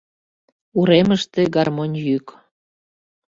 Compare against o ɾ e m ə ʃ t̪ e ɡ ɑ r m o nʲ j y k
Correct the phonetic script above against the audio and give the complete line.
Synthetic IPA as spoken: u ɾ e m ə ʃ t̪ e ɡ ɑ r m o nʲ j y k